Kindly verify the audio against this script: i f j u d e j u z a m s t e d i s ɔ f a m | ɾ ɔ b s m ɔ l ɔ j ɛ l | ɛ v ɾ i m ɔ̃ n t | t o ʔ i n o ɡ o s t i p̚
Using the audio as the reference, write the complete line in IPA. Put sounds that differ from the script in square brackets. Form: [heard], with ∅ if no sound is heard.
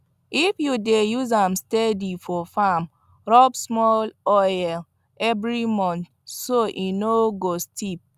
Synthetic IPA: i f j u d e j u z a m s t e d i [f] ɔ f a m | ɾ ɔ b s m ɔ l ɔ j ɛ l | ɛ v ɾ i m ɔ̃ n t | [s] o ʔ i n o ɡ o s t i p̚